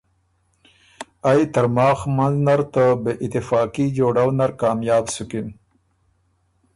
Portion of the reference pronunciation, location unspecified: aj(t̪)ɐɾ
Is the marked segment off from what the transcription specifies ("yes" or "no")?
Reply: no